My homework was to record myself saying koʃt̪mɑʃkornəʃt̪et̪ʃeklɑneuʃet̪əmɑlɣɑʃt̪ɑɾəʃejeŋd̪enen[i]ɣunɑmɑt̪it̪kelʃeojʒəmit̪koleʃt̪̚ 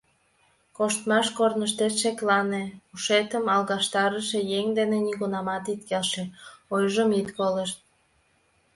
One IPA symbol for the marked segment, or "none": i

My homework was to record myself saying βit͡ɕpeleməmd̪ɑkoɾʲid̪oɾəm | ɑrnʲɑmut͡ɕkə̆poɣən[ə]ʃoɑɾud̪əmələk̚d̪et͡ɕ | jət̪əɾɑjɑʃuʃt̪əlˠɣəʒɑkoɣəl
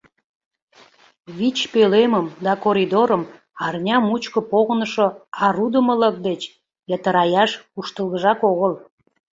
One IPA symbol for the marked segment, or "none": ə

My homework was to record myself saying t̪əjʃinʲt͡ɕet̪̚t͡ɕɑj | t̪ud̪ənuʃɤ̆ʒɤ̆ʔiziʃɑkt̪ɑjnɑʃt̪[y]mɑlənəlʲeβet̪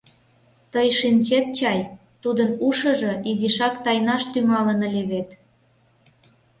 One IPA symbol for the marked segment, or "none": y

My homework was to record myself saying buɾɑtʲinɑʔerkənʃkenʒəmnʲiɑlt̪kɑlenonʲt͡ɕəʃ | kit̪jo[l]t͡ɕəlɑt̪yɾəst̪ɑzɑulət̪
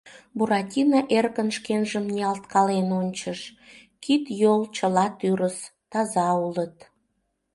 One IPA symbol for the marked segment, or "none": l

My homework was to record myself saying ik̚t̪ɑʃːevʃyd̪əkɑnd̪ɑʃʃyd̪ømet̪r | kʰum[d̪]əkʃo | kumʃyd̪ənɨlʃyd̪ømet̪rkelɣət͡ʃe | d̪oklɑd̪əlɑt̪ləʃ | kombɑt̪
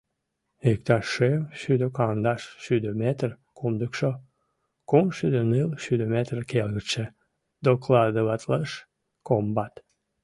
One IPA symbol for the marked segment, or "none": d̪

